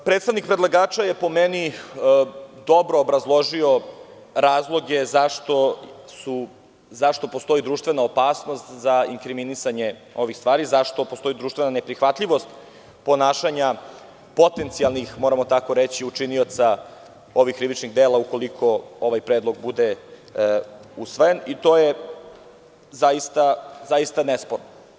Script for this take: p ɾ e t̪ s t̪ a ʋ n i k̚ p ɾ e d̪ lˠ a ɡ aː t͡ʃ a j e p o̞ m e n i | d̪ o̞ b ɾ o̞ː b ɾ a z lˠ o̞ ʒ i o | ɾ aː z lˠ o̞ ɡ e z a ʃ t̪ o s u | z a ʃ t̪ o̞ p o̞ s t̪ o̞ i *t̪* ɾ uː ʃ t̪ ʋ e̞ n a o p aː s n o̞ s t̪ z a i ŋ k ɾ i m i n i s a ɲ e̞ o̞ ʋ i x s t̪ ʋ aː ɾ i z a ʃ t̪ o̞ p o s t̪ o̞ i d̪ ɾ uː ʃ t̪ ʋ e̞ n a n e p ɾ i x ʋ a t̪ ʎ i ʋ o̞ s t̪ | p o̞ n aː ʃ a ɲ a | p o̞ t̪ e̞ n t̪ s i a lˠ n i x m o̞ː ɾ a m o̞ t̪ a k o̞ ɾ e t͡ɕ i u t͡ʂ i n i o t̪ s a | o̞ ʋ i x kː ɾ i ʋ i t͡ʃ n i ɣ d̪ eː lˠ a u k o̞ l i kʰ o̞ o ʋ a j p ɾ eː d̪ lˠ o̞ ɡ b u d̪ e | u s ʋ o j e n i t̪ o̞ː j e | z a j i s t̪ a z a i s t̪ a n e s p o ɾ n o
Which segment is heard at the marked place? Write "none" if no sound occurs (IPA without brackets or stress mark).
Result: d̪